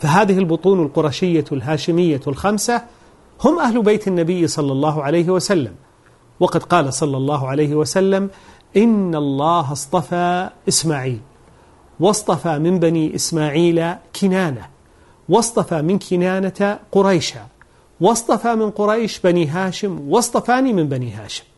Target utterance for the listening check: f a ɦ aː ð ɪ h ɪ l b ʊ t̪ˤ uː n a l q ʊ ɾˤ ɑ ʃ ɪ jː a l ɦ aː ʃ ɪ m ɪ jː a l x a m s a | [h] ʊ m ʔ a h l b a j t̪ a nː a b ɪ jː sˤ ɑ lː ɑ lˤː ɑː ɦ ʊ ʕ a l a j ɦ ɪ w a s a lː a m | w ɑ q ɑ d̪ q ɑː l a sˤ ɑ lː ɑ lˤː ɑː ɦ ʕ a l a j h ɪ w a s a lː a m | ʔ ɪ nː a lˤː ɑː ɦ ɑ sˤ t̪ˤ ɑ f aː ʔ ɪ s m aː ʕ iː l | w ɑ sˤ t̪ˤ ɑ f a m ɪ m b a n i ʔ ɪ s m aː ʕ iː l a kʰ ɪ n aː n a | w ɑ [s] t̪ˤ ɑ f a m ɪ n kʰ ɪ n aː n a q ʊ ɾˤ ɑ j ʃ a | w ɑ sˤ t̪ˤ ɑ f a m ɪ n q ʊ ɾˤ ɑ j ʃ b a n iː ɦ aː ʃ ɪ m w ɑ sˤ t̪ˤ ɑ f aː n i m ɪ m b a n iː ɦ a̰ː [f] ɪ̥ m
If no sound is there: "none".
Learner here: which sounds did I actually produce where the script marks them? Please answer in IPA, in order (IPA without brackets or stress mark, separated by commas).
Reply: h, s, ʃ